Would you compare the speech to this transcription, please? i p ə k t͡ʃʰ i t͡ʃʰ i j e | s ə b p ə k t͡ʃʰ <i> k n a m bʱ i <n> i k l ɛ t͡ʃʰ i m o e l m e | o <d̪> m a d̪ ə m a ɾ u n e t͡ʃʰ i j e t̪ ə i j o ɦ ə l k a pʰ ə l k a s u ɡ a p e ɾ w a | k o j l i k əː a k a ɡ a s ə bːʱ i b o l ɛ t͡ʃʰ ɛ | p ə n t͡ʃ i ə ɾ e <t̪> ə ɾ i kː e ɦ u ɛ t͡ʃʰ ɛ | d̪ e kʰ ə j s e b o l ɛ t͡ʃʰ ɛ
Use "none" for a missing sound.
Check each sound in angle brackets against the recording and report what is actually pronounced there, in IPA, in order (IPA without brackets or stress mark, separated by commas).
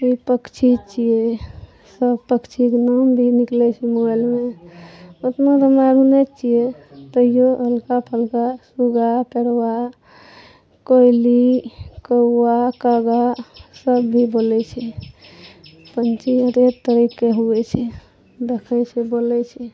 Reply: i, n, t̪, t̪